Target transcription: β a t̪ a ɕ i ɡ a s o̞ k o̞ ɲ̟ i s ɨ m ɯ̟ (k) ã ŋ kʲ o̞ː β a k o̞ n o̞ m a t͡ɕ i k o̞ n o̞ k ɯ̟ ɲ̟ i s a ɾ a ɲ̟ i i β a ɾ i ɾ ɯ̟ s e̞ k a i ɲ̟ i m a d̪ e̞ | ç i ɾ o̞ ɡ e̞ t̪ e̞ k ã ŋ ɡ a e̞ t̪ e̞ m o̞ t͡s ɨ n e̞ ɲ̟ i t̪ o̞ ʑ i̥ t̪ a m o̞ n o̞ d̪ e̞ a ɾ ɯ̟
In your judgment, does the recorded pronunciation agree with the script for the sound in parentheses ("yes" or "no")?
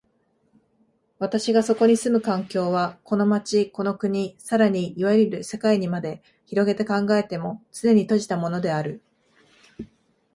yes